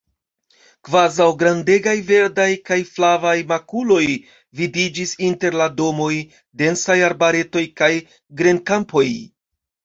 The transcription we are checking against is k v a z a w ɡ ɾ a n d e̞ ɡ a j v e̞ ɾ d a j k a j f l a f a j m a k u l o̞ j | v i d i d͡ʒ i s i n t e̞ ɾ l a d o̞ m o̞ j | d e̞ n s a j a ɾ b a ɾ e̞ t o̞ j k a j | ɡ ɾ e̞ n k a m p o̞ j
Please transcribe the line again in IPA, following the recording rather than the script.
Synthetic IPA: k v a z a w ɡ ɾ a n d e̞ ɡ a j v e̞ ɾ d a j k a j f l a v a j m a k u l o̞ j | v i d i d͡ʒ i s i n t e̞ ɾ l a d o̞ m o̞ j | d e̞ n s a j a ɾ b a ɾ e̞ t o̞ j k a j | ɡ ɾ e̞ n k a m p o̞ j